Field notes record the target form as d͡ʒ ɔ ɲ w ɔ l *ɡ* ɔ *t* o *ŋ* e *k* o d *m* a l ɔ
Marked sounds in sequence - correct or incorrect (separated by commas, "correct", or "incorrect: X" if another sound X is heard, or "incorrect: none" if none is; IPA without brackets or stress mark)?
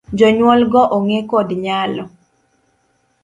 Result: correct, incorrect: ʔ, correct, correct, incorrect: ɲ